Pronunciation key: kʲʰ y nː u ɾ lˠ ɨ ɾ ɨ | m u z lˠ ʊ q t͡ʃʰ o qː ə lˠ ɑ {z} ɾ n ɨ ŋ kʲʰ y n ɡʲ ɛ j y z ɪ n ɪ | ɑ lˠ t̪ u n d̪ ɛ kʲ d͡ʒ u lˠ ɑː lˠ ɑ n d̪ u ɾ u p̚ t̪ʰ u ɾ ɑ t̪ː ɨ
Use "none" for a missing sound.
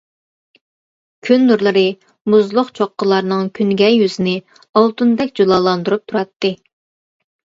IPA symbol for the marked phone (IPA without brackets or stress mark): none